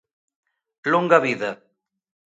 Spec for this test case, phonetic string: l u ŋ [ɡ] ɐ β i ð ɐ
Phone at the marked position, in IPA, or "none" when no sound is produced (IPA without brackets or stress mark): ɡ